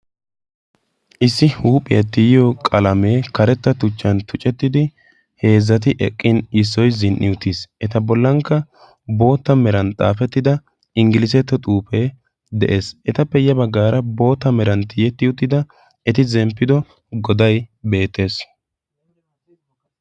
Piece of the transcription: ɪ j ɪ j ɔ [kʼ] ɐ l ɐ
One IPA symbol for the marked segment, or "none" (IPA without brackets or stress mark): kʼ